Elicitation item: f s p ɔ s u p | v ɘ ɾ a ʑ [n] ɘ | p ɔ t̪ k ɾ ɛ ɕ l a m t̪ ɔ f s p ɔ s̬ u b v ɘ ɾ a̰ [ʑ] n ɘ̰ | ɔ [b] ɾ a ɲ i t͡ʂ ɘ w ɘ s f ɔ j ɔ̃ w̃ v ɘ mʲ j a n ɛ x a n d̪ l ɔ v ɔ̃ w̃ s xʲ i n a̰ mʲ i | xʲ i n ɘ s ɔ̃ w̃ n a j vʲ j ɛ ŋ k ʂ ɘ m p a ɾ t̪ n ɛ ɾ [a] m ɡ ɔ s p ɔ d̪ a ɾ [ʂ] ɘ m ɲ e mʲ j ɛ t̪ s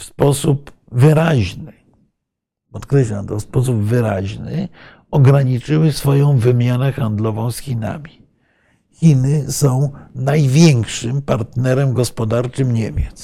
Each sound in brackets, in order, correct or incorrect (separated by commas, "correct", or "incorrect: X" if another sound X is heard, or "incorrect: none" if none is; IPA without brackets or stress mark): correct, correct, incorrect: ɡ, incorrect: ɛ, incorrect: t͡ʂ